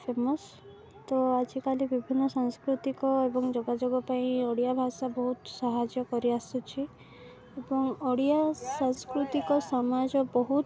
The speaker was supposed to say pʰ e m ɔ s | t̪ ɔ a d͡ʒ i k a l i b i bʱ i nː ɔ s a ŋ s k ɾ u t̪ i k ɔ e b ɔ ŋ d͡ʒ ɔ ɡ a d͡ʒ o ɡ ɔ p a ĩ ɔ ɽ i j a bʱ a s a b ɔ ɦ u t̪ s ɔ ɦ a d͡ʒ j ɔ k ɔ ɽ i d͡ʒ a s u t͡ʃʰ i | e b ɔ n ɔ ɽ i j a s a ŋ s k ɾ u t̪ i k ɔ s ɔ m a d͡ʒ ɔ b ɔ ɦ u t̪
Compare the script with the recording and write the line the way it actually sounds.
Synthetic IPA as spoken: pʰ e m ɔ s | t̪ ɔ a d͡ʒ i k a l i b i bʱ i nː ɔ s a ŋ s k ɾ u t̪ i k ɔ e b ɔ ŋ d͡ʒ ɔ ɡ a d͡ʒ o ɡ ɔ p a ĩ ɔ ɽ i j a bʱ a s a b ɔ ɦ u t̪ s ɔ ɦ a d͡ʒ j ɔ k ɔ ɾ i a s u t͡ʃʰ i | e b ɔ ŋ ɔ ɽ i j a s a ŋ s k ɾ u t̪ i k ɔ s ɔ m a d͡ʒ ɔ b ɔ ɦ u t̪